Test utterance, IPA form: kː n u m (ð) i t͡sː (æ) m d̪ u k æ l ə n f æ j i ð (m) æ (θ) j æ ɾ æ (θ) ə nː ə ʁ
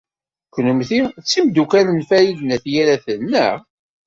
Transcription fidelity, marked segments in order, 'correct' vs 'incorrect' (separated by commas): incorrect, incorrect, incorrect, correct, correct